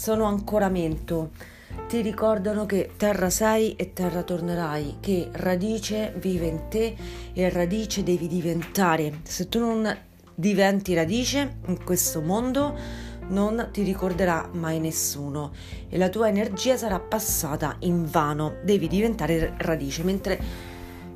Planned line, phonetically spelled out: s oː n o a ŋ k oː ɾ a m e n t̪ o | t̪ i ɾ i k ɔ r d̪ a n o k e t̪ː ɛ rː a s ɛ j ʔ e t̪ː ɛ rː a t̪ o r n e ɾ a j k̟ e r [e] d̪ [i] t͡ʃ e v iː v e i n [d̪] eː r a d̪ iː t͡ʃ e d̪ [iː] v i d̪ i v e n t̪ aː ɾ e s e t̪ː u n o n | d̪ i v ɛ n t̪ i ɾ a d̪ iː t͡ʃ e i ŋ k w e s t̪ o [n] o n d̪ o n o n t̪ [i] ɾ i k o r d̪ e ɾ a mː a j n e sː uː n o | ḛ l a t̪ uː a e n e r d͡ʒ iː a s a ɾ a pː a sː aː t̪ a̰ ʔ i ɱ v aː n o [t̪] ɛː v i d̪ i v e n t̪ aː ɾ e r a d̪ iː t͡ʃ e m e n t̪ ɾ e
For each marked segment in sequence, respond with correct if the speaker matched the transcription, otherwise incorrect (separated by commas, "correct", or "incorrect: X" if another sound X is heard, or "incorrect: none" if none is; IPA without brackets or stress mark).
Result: incorrect: a, incorrect: iː, incorrect: t̪, incorrect: ɛː, incorrect: m, correct, incorrect: d̪